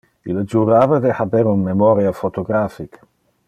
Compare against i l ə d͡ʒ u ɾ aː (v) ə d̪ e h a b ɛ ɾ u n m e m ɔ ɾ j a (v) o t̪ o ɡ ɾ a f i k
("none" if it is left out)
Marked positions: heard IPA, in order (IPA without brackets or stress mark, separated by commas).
v, f